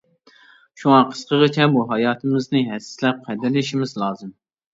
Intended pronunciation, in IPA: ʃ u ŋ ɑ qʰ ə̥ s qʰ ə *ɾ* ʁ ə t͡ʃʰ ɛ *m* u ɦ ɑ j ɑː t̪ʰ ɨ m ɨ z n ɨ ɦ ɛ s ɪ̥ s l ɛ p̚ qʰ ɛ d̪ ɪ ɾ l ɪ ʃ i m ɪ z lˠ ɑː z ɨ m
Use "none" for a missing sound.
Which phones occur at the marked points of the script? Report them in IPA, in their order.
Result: none, b

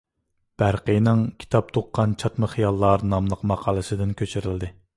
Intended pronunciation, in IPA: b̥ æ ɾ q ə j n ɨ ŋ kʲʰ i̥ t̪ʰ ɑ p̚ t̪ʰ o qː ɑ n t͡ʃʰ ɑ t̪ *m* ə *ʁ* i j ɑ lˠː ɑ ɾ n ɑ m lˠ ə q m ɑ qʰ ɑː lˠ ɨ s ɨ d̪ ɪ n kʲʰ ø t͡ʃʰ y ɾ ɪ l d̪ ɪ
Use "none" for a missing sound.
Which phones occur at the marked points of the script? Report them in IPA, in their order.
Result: m, χ

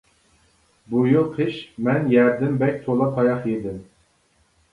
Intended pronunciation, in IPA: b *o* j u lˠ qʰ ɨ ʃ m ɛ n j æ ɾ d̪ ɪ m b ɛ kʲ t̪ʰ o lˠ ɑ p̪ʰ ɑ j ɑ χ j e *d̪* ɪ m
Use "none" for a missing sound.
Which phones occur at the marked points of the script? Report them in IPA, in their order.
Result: u, d̪

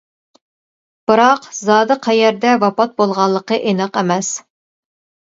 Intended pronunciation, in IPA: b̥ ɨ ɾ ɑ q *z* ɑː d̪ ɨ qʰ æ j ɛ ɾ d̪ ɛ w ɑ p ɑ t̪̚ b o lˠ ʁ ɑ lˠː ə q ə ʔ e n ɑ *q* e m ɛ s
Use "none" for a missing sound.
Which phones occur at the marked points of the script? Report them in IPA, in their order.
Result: z, q

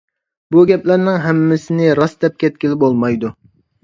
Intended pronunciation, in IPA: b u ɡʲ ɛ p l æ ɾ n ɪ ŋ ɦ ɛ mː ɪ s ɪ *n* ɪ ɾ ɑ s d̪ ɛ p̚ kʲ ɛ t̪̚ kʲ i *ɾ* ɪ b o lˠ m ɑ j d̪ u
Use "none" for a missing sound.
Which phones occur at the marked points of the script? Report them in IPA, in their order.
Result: n, l

